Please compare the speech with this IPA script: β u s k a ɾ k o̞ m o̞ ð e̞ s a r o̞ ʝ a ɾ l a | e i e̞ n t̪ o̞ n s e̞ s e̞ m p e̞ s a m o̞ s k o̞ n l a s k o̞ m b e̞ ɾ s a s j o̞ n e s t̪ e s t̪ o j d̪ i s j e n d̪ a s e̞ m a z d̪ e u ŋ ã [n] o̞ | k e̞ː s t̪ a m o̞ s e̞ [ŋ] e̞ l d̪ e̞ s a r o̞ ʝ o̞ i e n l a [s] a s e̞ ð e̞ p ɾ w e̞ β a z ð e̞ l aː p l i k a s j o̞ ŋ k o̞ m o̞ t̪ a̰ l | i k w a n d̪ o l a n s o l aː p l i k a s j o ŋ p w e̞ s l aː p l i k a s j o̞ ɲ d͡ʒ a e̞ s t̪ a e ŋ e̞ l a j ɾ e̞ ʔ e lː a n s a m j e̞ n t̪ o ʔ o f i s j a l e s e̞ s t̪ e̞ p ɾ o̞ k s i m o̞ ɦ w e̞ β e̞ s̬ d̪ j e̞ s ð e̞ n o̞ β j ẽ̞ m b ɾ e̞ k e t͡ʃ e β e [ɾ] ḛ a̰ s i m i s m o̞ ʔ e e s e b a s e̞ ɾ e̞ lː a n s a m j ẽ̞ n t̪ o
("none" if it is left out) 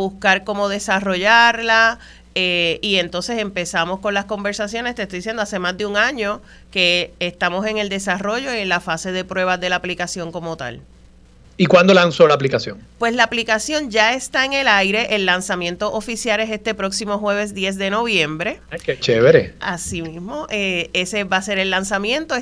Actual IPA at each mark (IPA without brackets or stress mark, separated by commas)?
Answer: ɲ, ŋ, f, ɾ